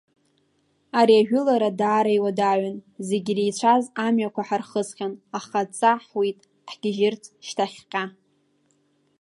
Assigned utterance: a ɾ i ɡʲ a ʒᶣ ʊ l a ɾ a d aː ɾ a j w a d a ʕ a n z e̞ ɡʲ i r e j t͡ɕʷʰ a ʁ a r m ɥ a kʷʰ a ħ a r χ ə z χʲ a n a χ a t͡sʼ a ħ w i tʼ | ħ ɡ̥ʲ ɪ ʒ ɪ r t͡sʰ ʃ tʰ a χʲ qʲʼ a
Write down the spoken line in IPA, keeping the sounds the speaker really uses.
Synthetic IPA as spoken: a ɾ i a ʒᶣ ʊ l a ɾ a d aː ɾ a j w a d a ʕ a n z e̞ ɡʲ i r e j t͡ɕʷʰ a z a m ɥ a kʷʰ a ħ a r χ ə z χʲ a n a χ a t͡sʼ a ħ w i tʼ | ħ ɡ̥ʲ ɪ ʒ ɪ r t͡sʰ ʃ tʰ a χʲ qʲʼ a